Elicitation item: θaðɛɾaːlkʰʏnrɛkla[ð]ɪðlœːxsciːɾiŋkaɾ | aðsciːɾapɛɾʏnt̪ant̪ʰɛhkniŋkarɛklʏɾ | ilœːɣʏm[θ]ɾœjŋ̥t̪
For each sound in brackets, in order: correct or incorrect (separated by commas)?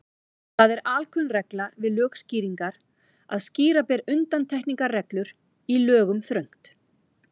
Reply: incorrect, correct